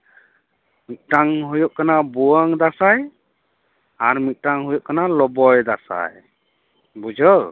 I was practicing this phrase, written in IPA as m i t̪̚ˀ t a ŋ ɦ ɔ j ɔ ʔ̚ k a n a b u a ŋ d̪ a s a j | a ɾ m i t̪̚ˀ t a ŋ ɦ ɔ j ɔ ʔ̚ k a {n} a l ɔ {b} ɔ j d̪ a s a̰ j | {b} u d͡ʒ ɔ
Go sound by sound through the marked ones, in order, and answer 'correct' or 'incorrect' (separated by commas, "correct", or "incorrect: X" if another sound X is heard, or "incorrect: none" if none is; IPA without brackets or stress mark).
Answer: correct, correct, correct